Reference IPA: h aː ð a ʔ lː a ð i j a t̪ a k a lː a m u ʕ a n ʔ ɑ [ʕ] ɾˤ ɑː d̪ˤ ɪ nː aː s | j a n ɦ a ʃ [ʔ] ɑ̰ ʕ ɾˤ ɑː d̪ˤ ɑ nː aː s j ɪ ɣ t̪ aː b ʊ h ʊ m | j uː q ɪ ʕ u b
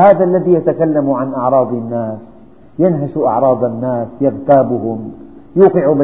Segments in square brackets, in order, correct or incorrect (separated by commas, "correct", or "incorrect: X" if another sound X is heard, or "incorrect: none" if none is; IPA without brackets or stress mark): correct, correct